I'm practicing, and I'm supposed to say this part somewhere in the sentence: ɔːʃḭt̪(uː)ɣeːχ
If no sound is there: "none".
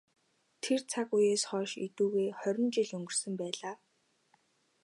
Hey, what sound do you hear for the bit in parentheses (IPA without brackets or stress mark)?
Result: uː